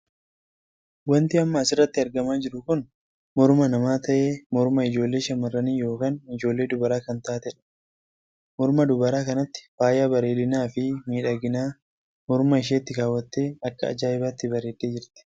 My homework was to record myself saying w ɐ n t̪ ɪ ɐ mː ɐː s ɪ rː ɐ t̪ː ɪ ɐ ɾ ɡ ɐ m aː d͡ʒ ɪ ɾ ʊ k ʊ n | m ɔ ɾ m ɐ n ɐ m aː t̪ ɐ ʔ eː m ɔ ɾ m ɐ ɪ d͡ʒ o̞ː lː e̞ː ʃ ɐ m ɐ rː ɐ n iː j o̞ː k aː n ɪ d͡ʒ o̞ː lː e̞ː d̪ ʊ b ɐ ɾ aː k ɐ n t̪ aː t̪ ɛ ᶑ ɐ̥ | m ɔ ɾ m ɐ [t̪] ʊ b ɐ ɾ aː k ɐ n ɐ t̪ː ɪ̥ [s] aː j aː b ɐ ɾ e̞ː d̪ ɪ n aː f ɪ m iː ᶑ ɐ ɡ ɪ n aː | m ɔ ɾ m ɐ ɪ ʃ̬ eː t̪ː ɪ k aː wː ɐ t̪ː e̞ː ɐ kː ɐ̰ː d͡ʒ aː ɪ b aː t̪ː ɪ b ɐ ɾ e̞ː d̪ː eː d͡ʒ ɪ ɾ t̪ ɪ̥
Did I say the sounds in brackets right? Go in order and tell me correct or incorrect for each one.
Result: incorrect: d̪, incorrect: f

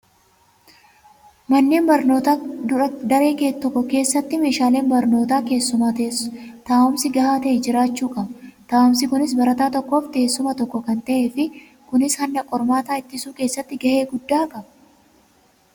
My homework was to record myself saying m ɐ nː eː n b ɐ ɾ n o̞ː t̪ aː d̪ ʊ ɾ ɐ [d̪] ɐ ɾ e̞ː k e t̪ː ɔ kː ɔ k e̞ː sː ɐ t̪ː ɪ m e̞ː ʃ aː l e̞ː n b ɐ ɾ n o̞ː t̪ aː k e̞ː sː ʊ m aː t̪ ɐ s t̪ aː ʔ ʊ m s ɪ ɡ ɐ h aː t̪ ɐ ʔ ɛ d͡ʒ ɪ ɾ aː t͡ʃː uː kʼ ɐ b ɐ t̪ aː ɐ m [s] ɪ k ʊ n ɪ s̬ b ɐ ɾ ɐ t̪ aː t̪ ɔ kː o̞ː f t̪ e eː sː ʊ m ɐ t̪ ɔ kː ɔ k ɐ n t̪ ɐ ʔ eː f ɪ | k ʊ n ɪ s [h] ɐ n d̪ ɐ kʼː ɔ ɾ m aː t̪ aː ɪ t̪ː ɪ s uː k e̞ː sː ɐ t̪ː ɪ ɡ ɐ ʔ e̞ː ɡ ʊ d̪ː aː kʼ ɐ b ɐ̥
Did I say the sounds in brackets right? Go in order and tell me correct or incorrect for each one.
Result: correct, correct, correct

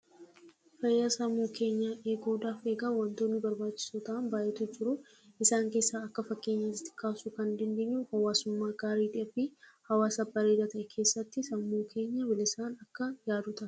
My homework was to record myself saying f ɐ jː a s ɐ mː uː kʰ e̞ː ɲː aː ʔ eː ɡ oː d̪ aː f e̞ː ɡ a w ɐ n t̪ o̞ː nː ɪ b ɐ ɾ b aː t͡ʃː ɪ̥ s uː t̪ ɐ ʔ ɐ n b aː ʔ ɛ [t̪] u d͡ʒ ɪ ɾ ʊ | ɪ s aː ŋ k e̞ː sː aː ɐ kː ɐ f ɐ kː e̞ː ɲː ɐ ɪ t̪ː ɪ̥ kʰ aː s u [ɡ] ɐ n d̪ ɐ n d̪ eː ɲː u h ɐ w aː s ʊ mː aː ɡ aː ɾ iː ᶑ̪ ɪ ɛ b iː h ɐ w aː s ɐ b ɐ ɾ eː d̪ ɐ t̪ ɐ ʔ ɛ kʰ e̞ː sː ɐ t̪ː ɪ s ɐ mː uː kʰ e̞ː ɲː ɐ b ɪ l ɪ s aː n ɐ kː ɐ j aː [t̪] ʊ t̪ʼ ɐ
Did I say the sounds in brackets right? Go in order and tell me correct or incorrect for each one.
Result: correct, incorrect: k, incorrect: d̪

